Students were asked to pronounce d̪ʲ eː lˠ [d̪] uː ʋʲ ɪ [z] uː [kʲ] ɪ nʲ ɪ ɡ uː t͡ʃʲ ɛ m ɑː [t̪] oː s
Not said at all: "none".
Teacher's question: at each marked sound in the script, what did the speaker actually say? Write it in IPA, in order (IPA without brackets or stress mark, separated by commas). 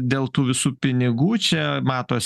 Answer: t̪, s, pʲ, t̪